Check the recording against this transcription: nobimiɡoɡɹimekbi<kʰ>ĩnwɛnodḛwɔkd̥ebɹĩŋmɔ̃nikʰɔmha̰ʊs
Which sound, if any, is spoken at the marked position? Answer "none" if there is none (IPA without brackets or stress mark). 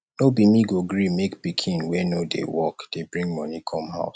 kʰ